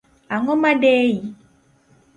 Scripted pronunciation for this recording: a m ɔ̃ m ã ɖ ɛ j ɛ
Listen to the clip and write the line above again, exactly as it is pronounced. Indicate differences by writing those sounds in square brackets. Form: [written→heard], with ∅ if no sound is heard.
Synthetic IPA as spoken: a [m→ŋ] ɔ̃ m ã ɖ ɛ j [ɛ→i]